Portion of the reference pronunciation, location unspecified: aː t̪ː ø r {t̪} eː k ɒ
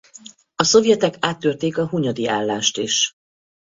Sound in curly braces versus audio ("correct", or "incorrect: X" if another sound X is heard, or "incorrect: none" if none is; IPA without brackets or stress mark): correct